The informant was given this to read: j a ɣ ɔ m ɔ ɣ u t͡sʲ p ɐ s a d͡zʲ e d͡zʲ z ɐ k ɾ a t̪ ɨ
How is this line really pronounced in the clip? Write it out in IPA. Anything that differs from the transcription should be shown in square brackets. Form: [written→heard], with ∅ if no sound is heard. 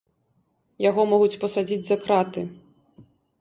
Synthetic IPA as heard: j a ɣ ɔ m ɔ ɣ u t͡sʲ p ɐ s a d͡zʲ [e→i] d͡zʲ z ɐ k ɾ a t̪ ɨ